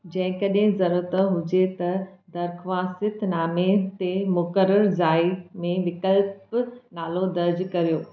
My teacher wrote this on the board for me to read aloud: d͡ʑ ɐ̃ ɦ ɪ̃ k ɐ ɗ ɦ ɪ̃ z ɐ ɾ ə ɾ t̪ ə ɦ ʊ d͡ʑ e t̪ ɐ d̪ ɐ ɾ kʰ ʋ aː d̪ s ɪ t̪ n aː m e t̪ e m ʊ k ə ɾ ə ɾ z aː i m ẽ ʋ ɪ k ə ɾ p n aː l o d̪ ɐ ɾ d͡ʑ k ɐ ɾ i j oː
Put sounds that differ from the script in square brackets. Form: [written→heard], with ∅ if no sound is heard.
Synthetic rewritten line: d͡ʑ ɐ̃ ɦ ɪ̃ k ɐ ɗ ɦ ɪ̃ z ɐ ɾ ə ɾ t̪ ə ɦ ʊ d͡ʑ e t̪ ɐ d̪ ɐ ɾ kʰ ʋ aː [d̪→∅] s ɪ t̪ n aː m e t̪ e m ʊ k ə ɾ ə ɾ z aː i m ẽ ʋ ɪ k ə [ɾ→l] p n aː l o d̪ ɐ ɾ d͡ʑ k ɐ ɾ i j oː